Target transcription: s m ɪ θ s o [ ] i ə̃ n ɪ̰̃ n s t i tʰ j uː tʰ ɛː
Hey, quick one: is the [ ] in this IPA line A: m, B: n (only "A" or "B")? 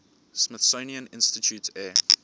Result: B